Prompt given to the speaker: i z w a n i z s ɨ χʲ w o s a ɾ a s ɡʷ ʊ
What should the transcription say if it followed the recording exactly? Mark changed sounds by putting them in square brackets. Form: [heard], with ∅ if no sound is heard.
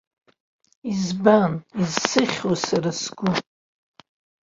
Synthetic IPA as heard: i z [b] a n i z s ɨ χʲ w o s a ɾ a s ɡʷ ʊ